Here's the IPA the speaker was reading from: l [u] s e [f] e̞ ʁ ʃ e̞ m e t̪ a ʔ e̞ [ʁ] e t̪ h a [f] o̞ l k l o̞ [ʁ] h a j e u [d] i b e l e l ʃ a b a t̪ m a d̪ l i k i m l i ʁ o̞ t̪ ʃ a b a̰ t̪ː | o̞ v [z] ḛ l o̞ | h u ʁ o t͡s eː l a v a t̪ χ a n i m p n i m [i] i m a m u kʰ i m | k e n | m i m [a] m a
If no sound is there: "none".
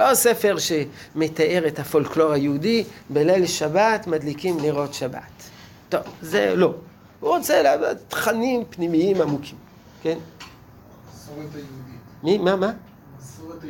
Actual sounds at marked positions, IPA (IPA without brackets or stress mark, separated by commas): o, f, ʁ, f, ʁ, d, z, i, a